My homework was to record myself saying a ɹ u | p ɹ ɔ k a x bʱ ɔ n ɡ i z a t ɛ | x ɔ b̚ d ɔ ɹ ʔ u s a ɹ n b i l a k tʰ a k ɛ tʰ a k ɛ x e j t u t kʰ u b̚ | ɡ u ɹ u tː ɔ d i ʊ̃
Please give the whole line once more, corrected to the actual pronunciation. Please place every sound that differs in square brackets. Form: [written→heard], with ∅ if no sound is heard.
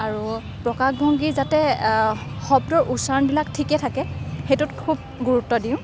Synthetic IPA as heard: a ɹ u | p ɹ ɔ k a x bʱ ɔ [n→ŋ] ɡ i z a t ɛ | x ɔ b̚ d ɔ ɹ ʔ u s a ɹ n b i l a k tʰ [a→i] k ɛ tʰ a k ɛ x e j t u t kʰ u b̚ | ɡ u ɹ u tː ɔ d i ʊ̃